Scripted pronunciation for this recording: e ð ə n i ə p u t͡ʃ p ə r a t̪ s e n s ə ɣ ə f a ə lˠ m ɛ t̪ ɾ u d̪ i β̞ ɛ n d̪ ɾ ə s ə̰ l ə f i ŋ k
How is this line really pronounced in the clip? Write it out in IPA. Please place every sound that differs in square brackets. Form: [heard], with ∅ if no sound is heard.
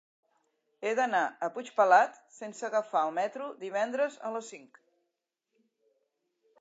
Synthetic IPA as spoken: e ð ə n [a] ə p u t͡ʃ p ə [l] a t̪ s e n s ə ɣ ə f a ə lˠ m ɛ t̪ ɾ u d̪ i β̞ ɛ n d̪ ɾ ə [z] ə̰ l ə [s] i ŋ k